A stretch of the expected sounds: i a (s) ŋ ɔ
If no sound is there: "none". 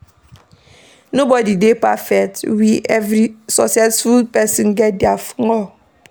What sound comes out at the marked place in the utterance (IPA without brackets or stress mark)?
f